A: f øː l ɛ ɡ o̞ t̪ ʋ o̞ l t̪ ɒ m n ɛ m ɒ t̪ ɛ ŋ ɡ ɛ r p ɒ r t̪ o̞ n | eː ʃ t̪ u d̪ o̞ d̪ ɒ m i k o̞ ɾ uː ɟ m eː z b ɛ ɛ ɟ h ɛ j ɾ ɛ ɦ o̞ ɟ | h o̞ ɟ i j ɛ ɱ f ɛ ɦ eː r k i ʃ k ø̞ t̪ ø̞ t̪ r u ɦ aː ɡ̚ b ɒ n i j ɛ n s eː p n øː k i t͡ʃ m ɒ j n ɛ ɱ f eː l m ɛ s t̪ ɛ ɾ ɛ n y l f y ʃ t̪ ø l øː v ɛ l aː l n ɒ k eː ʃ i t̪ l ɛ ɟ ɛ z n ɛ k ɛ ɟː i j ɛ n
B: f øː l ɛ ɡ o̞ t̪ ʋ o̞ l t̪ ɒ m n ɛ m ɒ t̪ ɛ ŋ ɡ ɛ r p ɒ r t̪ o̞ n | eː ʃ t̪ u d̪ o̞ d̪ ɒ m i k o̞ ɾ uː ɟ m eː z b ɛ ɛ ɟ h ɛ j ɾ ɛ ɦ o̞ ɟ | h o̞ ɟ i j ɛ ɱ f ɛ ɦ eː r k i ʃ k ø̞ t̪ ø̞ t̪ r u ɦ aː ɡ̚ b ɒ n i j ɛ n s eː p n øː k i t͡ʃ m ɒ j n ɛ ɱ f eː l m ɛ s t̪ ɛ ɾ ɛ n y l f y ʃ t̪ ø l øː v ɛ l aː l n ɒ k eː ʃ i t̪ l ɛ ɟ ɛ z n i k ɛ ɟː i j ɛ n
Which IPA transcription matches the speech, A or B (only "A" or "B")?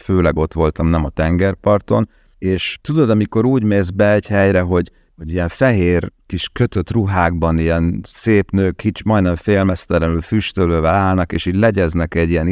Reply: A